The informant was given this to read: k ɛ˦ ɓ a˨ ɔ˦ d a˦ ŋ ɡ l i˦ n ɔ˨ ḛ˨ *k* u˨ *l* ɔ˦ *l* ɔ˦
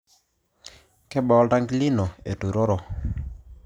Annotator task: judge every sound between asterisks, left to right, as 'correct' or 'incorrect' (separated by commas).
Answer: incorrect, incorrect, incorrect